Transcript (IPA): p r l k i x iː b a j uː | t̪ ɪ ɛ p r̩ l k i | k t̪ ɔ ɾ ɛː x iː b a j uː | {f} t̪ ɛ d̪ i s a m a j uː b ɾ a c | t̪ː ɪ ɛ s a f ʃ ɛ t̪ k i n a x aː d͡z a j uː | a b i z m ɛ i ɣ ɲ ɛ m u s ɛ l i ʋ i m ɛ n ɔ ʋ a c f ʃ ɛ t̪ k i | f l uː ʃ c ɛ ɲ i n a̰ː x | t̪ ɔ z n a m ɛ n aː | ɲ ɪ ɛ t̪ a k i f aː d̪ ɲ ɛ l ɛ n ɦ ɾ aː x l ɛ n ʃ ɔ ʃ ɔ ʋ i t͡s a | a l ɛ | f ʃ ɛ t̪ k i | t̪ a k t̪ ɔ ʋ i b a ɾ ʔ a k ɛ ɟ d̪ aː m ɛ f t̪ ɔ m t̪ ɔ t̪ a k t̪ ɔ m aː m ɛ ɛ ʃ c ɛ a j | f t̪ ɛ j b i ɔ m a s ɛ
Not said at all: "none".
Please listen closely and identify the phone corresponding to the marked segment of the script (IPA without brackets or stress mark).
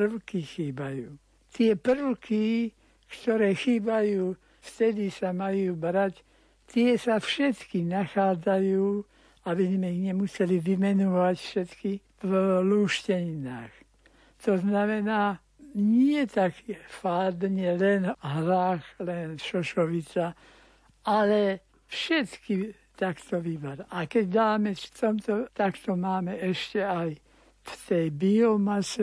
f